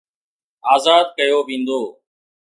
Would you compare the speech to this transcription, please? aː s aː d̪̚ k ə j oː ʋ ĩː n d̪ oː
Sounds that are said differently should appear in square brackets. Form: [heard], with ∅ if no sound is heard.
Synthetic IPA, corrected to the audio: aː [z] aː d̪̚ k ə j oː ʋ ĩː n d̪ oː